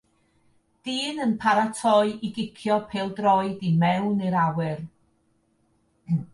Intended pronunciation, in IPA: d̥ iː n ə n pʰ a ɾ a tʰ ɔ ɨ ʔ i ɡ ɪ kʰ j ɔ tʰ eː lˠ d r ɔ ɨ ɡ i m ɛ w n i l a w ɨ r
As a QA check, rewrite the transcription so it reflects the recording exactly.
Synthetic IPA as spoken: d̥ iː n ə n pʰ a ɾ a tʰ ɔ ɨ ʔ i ɡ ɪ kʰ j ɔ pʰ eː lˠ d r ɔ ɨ d i m ɛ w n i ɾ a w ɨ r